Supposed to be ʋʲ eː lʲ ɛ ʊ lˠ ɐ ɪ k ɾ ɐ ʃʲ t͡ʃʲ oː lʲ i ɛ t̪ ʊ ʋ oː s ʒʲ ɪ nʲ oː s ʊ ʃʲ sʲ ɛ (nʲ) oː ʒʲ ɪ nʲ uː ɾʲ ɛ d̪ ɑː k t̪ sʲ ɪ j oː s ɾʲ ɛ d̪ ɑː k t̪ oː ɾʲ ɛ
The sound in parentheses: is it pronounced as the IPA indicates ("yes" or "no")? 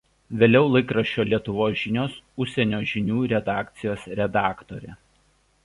yes